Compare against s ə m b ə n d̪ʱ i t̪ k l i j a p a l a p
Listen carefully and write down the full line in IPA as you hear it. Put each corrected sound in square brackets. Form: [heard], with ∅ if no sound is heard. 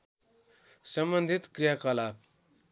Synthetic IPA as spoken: s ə m b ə n d̪ʱ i t̪ k [ɾ] i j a [k] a l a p